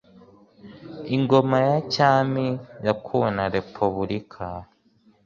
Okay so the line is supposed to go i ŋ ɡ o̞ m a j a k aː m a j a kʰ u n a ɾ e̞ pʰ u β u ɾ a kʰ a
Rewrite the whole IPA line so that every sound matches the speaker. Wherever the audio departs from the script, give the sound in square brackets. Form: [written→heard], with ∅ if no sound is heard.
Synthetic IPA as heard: i ŋ ɡ o̞ m a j a [k→c] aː m [a→i] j a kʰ u n a ɾ e̞ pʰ u β u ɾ [a→i] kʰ a